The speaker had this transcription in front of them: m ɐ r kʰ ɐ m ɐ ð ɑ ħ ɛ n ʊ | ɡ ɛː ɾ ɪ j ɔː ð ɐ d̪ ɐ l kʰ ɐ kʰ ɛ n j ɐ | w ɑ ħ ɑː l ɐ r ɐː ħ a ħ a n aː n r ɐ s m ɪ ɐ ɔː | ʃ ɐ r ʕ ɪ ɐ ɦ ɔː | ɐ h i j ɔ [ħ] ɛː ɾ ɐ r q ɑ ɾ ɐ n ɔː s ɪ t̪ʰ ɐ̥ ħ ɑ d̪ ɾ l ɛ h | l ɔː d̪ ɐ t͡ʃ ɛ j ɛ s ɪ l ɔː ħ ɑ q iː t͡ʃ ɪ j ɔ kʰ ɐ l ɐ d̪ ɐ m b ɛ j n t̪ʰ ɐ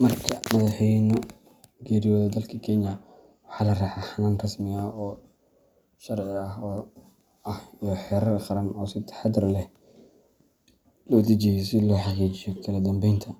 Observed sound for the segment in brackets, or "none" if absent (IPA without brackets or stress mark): ħ